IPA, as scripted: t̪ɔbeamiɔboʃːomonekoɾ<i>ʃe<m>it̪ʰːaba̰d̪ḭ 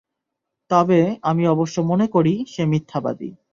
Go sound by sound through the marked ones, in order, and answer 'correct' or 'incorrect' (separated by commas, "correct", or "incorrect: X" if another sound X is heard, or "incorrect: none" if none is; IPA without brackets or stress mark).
correct, correct